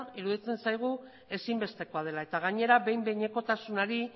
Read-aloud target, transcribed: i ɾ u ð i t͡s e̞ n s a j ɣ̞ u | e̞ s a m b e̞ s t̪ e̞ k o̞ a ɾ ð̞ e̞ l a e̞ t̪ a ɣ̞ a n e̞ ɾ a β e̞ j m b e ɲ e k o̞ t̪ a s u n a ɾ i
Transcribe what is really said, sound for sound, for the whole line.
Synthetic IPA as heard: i ɾ u ð i t͡s e̞ n s a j ɣ̞ u | e̞ s i m b e̞ s t̪ e̞ k o̞ a ð̞ e̞ l a e̞ t̪ a ɣ̞ a ɲ e̞ ɾ a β e̞ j m b e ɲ e k o̞ t̪ a s u n a ɾ i